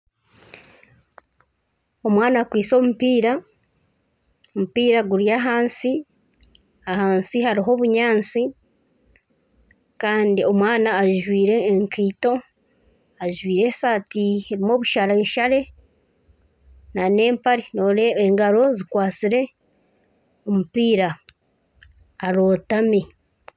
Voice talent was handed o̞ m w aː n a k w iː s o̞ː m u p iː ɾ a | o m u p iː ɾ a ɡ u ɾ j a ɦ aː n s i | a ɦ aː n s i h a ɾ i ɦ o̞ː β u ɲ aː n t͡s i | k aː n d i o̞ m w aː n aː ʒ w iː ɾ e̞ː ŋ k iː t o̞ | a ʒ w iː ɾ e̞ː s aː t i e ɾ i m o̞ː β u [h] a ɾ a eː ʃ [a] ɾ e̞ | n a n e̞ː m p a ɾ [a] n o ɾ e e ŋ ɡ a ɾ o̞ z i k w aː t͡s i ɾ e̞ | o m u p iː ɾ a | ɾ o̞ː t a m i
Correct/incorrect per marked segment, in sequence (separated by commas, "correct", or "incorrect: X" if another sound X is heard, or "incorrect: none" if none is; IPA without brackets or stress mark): incorrect: ʃ, correct, incorrect: i